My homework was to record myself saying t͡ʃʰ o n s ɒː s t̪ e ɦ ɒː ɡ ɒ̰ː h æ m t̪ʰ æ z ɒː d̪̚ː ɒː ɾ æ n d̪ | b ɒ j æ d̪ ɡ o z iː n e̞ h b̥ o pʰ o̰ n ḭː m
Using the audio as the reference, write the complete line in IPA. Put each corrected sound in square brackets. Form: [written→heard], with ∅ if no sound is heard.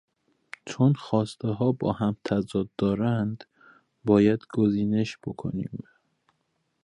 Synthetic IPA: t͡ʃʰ o n [s→x] ɒː s t̪ e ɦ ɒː [ɡ→b] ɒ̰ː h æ m t̪ʰ æ z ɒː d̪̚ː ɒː ɾ æ n d̪ | b [ɒ→ɒː] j æ d̪ ɡ o z iː n e̞ [h→ʃ] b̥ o [pʰ→kʰ] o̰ n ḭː m